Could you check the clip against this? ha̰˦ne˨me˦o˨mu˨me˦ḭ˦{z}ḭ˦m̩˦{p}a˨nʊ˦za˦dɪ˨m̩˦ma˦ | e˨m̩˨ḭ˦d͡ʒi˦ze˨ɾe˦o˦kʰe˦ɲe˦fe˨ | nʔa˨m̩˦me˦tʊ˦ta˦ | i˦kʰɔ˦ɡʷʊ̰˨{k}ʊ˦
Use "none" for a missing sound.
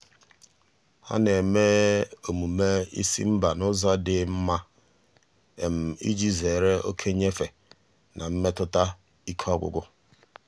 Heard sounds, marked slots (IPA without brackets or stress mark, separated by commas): s, b, ɡ